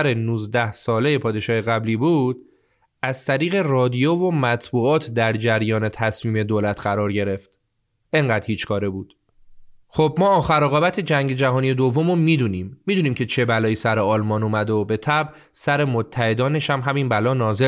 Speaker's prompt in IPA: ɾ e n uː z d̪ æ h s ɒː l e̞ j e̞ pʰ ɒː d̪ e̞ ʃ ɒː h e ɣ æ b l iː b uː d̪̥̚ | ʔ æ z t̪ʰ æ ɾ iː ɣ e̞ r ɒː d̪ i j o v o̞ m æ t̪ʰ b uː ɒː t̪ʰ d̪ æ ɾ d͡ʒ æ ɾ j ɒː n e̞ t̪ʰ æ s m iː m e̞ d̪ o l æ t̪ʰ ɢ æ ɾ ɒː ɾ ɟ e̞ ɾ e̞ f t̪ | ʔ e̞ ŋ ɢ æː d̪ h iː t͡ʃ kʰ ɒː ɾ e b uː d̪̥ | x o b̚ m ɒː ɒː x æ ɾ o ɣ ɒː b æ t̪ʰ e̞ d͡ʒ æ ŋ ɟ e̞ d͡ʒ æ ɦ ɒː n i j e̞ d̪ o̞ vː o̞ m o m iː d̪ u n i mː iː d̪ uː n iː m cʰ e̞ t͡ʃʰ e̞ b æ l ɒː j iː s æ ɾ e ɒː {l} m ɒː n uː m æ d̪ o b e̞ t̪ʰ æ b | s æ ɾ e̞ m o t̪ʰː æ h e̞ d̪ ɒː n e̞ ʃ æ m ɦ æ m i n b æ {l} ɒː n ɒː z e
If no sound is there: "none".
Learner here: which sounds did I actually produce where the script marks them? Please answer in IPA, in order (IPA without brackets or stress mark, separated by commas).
l, l